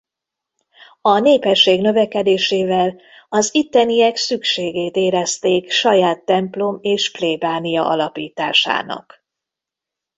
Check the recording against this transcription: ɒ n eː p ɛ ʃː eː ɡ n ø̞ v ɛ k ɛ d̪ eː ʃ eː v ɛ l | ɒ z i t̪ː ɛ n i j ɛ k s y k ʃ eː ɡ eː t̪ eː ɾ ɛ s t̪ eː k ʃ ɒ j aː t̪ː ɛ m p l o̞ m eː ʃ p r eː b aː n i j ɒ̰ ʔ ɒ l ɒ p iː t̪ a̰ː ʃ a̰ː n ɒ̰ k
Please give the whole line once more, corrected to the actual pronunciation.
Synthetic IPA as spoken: ɒ n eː p ɛ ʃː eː ɡ n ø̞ v ɛ k ɛ d̪ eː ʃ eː v ɛ l | ɒ z i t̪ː ɛ n i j ɛ k s y k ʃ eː ɡ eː t̪ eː ɾ ɛ s t̪ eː k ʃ ɒ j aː t̪ː ɛ m p l o̞ m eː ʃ p l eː b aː n i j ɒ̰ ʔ ɒ l ɒ p iː t̪ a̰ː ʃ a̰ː n ɒ̰ k